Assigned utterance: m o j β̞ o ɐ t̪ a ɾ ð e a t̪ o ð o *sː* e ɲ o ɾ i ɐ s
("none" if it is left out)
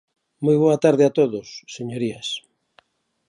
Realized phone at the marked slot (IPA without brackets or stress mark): sː